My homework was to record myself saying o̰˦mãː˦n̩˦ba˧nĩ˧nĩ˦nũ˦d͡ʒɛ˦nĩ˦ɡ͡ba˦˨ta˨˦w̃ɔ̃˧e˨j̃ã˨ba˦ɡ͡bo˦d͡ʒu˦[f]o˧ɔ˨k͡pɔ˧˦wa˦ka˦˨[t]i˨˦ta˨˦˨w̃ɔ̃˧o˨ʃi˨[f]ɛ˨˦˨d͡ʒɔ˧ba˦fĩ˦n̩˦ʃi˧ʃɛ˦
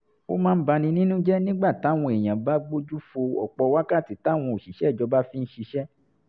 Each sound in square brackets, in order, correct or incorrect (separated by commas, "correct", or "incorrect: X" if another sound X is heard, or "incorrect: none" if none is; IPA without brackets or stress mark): correct, correct, incorrect: ʃ